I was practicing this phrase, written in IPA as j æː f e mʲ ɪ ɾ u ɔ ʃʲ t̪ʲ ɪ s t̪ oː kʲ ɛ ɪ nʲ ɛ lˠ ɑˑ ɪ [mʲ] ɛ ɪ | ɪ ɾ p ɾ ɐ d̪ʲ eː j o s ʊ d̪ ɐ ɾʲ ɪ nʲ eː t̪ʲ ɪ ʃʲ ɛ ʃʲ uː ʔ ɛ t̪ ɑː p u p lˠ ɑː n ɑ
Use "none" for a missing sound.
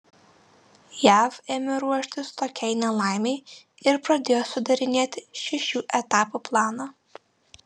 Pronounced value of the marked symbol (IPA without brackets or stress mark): mʲ